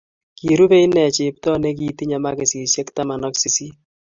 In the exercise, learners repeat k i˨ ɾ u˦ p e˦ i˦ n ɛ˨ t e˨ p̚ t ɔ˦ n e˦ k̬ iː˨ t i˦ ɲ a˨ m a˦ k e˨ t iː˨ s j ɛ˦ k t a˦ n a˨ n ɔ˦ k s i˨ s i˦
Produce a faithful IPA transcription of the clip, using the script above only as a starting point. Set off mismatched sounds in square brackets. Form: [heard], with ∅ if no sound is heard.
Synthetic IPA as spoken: k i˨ ɾ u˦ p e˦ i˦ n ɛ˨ [t͡ʃ] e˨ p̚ t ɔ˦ n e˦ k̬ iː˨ t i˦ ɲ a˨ m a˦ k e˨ [s] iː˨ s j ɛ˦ k t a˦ [m] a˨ n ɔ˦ k s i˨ s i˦